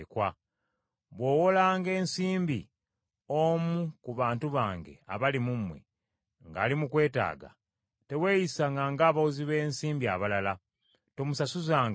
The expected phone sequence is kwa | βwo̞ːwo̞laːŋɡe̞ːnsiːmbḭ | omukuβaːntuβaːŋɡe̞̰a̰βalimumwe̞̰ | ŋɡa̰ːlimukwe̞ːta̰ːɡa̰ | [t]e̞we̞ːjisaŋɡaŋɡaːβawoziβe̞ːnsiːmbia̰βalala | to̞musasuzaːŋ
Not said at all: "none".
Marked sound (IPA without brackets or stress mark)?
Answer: t